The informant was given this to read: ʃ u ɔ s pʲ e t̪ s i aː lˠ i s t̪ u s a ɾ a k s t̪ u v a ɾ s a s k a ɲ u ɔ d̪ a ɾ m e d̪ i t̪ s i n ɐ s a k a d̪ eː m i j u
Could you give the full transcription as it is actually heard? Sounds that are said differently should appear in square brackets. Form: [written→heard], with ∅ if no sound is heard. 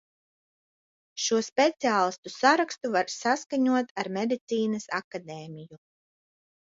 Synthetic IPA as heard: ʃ u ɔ s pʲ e t̪ s i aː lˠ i s t̪ u s a ɾ a k s t̪ u v a ɾ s a s k a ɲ u ɔ [d̪→t̪] a ɾ m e d̪ i t̪ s [i→iː] n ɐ s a k a d̪ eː m i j u